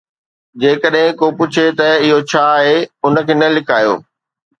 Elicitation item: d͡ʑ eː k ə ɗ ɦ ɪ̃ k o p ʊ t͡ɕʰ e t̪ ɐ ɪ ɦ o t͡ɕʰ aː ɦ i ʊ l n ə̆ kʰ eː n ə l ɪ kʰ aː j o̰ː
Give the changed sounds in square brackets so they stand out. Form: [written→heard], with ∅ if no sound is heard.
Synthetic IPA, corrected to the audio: d͡ʑ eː k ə ɗ ɦ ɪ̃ k o p ʊ t͡ɕʰ e t̪ ɐ ɪ ɦ o t͡ɕʰ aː ɦ [i→e] ʊ [l→∅] n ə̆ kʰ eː n [ə→ɐ] l ɪ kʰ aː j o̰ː